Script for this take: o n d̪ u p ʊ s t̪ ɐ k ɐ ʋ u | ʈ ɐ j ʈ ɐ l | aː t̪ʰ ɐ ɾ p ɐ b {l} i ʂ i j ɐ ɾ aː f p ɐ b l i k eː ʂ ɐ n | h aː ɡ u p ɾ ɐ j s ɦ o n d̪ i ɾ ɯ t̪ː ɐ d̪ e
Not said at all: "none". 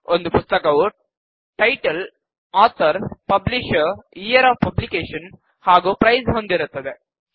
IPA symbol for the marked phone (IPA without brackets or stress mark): l